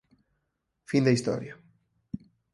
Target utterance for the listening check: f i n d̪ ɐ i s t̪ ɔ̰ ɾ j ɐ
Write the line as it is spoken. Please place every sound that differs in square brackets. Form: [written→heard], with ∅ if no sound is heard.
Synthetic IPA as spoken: f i n d̪ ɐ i s t̪ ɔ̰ ɾ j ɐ